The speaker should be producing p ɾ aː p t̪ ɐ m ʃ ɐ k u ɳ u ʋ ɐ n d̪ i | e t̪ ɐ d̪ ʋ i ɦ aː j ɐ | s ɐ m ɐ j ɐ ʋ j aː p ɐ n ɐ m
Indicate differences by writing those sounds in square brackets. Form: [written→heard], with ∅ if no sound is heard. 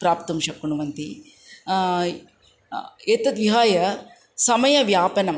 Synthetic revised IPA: p ɾ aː p t̪ ɐ m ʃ ɐ k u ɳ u ʋ ɐ n [d̪→t̪] i | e t̪ ɐ d̪ ʋ i ɦ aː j ɐ | s ɐ m ɐ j ɐ ʋ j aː p ɐ n ɐ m